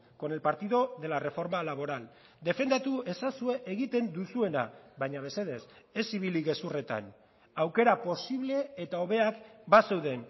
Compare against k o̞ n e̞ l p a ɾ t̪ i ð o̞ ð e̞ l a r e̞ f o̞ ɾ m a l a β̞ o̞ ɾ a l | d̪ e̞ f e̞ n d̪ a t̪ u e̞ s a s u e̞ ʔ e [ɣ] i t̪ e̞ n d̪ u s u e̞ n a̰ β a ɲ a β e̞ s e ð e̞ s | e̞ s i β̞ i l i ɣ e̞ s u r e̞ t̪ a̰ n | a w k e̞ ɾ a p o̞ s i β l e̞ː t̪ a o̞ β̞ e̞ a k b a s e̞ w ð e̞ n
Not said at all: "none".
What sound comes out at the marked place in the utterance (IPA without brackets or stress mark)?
ɣ